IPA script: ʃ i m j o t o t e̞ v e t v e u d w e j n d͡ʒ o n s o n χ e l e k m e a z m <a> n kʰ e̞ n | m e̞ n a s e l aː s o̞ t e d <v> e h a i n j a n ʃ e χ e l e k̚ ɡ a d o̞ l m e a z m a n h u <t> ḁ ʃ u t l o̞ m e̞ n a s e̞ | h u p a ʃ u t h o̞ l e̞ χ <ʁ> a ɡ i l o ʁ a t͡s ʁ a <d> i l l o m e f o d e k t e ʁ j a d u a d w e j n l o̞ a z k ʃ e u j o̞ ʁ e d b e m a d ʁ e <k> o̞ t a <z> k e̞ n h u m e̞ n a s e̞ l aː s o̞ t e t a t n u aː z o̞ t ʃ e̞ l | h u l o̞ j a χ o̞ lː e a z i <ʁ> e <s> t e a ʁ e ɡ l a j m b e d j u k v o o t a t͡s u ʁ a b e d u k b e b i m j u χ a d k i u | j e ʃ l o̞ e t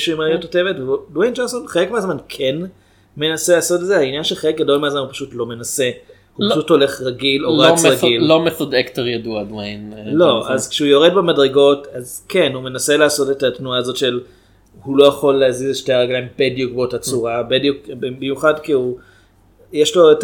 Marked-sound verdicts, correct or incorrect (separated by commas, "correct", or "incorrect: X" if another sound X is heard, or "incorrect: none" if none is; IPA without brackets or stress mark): correct, incorrect: z, incorrect: p, correct, incorrect: ɡ, incorrect: ɡ, correct, incorrect: z, incorrect: ʃ